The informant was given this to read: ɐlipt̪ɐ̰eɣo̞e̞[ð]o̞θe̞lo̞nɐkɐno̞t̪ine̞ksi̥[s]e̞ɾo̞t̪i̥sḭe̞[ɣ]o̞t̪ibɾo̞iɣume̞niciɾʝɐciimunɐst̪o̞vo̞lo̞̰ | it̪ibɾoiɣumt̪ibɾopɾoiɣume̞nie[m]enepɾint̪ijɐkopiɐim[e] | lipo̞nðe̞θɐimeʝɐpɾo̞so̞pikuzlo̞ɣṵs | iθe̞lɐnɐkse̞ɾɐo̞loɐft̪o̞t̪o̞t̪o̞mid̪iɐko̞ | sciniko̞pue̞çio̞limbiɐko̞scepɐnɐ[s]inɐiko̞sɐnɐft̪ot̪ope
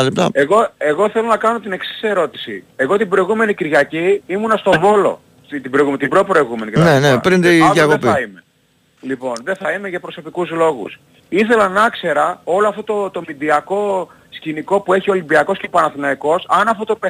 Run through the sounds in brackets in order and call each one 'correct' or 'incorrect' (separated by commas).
incorrect, correct, correct, incorrect, correct, incorrect